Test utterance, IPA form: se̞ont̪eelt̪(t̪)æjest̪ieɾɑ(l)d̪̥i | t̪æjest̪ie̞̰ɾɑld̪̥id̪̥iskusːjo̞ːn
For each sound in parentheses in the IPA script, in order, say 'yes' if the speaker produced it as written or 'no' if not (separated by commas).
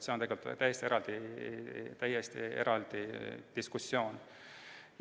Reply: yes, yes